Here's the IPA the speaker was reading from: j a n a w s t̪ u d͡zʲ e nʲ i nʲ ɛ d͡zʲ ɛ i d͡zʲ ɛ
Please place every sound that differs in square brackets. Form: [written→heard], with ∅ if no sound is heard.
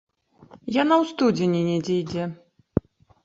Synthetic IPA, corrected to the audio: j a n a w s t̪ u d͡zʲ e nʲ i nʲ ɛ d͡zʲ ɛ [i→j] d͡zʲ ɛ